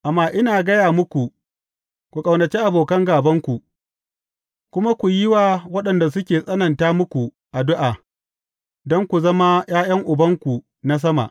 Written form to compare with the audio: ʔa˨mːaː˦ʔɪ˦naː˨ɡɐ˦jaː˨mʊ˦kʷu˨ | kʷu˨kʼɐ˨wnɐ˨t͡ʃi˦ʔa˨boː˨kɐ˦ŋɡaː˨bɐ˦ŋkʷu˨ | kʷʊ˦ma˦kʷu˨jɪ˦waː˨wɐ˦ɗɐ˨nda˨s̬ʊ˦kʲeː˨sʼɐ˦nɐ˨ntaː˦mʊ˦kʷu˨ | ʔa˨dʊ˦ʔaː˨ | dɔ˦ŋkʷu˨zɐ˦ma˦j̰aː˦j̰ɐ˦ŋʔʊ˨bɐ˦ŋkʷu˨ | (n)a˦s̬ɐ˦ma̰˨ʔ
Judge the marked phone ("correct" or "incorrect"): correct